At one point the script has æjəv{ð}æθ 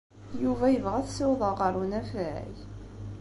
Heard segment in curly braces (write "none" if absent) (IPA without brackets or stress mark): ʁ